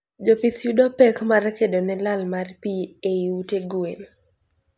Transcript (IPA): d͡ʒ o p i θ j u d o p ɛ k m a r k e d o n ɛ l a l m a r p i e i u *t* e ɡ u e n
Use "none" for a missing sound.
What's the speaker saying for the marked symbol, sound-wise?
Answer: t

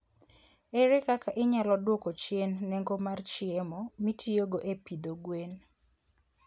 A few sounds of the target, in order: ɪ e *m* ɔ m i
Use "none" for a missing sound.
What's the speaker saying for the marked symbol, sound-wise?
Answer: m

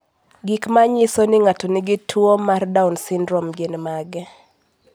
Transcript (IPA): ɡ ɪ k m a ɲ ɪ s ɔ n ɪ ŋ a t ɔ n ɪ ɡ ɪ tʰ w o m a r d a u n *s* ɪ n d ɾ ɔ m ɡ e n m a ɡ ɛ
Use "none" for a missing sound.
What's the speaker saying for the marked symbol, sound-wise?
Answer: s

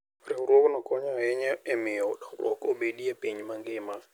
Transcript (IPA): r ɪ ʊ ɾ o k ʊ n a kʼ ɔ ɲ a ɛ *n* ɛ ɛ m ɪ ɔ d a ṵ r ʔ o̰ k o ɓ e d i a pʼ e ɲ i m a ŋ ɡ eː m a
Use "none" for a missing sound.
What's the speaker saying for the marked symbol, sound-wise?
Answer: ɲ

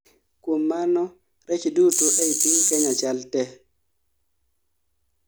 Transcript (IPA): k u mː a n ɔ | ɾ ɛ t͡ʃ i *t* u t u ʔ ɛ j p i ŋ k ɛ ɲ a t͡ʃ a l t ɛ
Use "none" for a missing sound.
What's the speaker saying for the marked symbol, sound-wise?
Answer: d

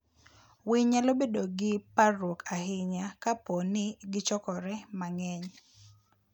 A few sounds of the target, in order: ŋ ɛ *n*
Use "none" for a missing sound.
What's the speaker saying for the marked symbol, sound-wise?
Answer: ɲ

